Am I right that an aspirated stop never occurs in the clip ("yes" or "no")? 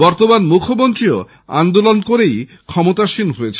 no